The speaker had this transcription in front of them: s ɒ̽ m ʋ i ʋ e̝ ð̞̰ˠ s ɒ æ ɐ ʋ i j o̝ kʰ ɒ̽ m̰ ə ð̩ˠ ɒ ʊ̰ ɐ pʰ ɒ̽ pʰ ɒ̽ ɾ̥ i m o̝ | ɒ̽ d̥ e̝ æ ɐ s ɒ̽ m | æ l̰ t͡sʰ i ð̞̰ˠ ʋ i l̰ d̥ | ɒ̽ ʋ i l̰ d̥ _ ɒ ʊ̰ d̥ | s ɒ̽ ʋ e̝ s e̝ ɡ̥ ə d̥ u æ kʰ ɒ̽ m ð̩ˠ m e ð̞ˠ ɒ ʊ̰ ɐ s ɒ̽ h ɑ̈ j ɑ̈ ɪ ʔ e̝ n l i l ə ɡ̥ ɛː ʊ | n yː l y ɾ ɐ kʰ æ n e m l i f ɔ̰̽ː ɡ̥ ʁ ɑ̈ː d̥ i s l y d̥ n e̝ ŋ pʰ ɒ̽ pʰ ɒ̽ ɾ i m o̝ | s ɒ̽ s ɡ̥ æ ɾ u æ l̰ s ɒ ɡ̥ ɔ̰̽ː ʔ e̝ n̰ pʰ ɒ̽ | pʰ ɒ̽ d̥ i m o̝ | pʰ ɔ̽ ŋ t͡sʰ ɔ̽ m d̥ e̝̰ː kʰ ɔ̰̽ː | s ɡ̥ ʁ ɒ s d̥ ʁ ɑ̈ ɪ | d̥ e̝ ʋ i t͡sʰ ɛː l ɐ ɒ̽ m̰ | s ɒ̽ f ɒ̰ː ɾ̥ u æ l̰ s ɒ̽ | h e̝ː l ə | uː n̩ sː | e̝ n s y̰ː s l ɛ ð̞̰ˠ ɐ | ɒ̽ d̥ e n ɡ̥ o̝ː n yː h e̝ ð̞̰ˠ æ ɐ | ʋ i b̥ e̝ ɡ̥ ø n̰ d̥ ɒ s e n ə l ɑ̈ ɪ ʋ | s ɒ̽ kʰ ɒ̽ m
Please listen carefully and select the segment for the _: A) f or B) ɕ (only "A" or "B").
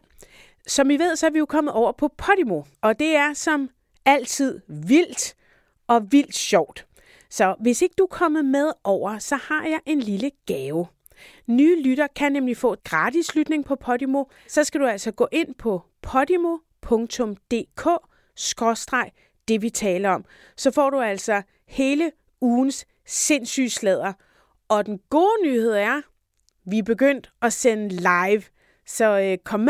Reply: B